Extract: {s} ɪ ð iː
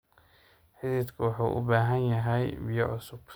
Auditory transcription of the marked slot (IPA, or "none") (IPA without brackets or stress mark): ħ